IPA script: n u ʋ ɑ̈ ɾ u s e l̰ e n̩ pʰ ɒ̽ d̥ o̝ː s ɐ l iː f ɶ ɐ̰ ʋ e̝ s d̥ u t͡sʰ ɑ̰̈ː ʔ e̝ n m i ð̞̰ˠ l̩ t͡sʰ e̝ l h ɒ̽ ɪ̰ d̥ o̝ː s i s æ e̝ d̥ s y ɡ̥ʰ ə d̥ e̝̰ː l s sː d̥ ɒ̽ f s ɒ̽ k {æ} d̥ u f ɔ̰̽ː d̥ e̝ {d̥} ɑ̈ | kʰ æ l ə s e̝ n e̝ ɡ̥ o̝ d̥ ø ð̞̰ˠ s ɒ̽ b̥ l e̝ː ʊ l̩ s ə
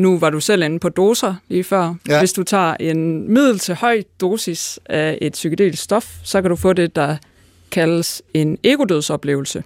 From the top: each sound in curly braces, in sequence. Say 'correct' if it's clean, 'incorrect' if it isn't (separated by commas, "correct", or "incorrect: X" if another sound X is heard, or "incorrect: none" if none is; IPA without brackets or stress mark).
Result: correct, correct